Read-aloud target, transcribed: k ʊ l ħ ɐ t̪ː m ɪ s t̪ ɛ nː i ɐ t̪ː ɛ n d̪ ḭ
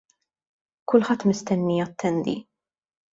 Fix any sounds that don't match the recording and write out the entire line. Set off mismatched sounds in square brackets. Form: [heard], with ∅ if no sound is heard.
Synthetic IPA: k ʊ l ħ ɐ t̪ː m ɪ s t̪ ɛ nː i ɐ t̪ː ɛ n d̪ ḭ